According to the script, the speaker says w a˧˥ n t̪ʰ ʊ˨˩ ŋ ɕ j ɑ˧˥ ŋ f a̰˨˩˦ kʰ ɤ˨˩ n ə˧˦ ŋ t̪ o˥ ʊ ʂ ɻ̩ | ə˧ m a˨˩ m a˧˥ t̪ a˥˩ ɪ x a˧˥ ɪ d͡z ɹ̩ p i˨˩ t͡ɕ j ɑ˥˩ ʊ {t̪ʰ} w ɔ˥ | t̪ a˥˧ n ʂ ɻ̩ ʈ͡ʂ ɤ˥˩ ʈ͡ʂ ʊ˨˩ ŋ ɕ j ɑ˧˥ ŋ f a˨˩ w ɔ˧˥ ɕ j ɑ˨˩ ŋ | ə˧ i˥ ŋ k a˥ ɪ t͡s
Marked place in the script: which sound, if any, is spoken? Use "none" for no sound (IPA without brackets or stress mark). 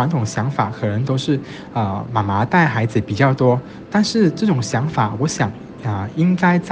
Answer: t̪